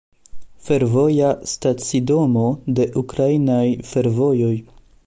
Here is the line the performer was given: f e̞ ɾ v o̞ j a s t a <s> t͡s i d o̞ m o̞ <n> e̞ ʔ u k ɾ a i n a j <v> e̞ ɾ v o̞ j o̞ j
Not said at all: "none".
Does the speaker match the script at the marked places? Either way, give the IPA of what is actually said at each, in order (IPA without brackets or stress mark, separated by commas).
none, d, f